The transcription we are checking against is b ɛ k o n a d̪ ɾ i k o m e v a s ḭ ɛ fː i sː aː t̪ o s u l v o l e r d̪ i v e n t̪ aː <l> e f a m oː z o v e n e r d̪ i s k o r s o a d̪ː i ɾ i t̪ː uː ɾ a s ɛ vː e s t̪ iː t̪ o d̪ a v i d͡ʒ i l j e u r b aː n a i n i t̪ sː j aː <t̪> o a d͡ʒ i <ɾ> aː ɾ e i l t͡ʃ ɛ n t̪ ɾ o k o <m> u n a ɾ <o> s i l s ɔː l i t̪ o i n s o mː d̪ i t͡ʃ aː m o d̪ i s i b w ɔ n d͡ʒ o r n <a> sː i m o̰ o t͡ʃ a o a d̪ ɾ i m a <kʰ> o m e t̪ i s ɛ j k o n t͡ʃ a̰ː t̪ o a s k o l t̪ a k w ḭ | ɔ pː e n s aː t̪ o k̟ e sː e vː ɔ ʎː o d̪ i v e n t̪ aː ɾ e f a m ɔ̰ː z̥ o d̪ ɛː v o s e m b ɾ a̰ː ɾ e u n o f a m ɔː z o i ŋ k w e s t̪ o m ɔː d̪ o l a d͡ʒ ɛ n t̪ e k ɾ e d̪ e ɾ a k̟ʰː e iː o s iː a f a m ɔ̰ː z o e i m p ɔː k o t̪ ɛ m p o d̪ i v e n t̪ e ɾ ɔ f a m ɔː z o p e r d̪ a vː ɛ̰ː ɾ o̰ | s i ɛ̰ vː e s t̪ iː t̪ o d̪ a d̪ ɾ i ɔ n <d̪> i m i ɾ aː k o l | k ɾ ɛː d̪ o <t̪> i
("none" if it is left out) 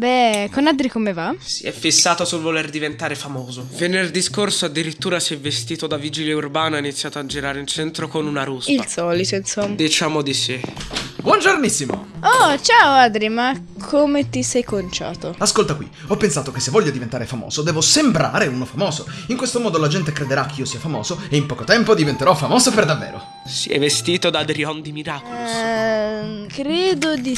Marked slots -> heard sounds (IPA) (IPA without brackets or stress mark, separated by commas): ɾ, t̪, ɾ, n, u, i, kʰ, d̪, d̪